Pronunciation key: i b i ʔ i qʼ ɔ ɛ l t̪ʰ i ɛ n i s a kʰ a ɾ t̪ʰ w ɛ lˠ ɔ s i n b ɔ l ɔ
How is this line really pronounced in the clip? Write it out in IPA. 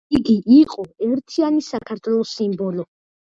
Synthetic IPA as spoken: i ɡ i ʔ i qʼ ɔ ɛ ɾ t̪ʰ i a n i s a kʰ a ɾ t̪ʰ w ɛ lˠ ɔ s i m b ɔ l ɔ